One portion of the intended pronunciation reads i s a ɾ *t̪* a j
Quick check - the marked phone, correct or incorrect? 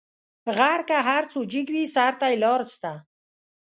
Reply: correct